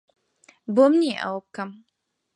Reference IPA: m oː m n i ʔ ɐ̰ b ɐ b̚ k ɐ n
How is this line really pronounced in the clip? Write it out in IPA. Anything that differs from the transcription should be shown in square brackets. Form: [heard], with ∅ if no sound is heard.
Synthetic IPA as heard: [b] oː m n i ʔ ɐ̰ [w] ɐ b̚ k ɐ [m]